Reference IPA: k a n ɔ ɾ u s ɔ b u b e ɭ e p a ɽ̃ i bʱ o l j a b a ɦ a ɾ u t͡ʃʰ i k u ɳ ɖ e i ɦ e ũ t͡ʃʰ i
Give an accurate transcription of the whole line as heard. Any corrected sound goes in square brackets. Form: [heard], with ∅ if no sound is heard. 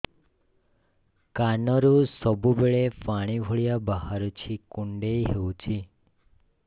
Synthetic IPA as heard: k a n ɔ ɾ u s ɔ b u b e ɭ e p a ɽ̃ i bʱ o [ɭ] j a b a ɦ a ɾ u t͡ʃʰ i k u ɳ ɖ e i ɦ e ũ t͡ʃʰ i